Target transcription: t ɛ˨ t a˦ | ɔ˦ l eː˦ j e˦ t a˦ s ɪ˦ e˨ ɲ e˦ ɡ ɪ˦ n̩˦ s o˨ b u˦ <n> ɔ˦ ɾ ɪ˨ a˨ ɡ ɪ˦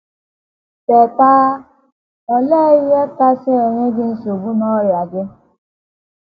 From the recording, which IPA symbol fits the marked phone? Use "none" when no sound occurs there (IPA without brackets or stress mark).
n